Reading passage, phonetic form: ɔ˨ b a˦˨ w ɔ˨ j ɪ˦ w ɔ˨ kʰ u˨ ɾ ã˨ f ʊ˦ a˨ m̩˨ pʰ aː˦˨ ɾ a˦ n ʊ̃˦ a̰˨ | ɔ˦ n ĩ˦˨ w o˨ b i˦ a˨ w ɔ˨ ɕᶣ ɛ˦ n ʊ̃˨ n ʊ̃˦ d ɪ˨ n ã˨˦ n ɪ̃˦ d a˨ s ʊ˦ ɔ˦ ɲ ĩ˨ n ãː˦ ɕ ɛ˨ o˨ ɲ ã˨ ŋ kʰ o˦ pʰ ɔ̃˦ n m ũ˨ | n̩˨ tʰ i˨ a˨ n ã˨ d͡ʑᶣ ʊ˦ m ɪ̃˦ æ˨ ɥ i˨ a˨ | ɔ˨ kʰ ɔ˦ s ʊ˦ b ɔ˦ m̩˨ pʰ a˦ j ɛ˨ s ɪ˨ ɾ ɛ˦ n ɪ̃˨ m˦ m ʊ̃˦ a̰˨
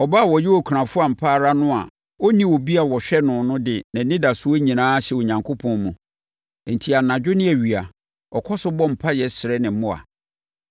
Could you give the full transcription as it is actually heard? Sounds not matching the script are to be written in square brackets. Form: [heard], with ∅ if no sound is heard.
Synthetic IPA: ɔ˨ b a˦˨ w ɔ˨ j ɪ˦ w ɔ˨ kʰ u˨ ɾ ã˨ f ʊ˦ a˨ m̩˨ pʰ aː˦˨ ɾ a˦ n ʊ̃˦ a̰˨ | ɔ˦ n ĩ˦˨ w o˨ b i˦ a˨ w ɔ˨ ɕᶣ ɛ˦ n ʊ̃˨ n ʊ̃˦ d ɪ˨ n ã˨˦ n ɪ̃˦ d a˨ s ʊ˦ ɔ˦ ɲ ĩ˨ n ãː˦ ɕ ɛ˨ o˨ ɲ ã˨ ŋ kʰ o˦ pʰ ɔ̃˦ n m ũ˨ | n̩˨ tʰ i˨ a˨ n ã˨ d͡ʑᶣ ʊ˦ [n] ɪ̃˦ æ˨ ɥ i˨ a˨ | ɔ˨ kʰ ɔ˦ s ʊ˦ b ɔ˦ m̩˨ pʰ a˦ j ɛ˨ s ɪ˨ ɾ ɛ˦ n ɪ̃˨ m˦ m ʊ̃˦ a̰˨